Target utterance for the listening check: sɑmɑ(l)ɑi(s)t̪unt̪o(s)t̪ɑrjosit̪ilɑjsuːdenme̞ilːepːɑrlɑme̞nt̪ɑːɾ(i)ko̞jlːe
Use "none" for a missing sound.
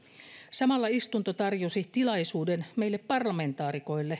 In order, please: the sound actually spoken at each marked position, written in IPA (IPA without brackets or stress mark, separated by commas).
lː, s, none, i